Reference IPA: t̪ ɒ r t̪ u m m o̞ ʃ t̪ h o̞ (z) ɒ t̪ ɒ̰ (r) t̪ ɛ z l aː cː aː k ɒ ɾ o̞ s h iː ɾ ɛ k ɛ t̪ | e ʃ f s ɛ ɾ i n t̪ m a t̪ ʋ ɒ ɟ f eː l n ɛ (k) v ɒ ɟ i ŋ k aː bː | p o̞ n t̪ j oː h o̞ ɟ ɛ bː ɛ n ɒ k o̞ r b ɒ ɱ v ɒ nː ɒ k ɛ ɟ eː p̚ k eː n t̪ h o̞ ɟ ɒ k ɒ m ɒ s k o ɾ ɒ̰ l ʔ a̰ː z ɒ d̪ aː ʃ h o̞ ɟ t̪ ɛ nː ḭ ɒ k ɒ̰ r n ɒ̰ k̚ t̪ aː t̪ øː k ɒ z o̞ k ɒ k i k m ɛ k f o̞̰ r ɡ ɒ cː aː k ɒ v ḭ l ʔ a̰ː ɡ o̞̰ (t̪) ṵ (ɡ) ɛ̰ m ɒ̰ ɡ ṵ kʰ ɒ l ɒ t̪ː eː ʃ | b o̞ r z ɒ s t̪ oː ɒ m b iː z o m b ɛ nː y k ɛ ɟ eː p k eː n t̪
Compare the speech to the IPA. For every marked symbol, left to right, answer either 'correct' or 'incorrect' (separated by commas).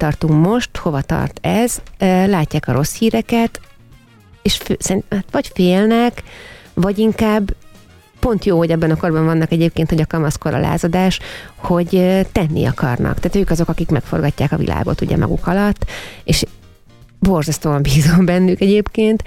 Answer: incorrect, correct, correct, correct, incorrect